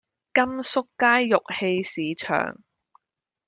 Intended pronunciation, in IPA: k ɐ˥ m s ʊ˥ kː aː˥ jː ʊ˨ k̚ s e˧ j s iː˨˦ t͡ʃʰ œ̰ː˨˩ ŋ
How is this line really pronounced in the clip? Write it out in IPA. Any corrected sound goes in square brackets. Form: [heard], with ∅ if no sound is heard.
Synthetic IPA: k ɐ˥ m s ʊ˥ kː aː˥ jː ʊ˨ k̚ [h] e˧ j s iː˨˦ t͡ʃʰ œ̰ː˨˩ ŋ